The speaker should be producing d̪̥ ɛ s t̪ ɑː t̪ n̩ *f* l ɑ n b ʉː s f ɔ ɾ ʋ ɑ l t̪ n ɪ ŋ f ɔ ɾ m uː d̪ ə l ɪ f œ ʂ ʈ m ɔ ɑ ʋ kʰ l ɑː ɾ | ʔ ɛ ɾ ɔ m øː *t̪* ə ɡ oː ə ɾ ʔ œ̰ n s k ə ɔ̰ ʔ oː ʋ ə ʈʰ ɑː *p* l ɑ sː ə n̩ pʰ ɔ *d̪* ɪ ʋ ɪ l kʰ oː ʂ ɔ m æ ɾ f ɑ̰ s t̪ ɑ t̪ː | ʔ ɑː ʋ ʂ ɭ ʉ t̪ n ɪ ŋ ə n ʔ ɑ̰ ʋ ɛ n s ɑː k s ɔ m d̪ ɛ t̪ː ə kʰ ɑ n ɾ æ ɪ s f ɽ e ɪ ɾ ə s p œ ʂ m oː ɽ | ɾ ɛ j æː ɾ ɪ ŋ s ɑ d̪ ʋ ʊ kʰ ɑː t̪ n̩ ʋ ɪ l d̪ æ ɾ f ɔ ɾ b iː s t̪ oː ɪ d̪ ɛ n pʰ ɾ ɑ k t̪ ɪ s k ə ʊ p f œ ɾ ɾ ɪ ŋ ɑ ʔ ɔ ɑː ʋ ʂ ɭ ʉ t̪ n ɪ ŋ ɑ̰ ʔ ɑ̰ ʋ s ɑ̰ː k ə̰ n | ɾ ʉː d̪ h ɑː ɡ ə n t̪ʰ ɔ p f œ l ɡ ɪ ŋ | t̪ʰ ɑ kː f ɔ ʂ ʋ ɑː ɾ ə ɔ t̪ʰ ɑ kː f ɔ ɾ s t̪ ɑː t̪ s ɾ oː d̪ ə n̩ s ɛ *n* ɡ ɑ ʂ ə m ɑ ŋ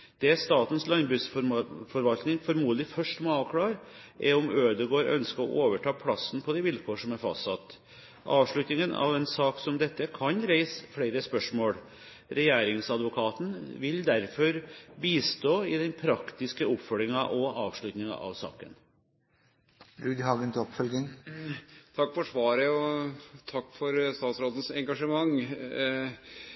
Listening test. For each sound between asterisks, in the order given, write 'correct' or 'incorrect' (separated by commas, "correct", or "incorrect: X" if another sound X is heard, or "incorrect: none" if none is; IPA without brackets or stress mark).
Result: incorrect: s, incorrect: d̪, incorrect: pʰ, correct, incorrect: ŋ